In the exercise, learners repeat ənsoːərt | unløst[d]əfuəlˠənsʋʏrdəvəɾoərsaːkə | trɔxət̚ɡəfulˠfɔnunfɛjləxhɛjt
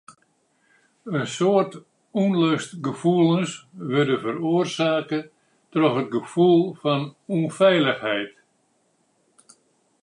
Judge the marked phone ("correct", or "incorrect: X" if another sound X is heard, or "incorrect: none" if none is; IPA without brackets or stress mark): incorrect: ɡ